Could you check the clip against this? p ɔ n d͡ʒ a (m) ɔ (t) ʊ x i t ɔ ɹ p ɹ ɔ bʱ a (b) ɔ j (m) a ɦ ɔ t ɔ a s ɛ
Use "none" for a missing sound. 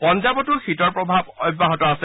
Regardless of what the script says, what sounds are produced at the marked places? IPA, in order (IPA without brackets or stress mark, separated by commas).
b, t, b, b